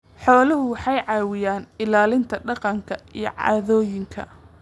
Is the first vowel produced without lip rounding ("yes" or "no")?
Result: no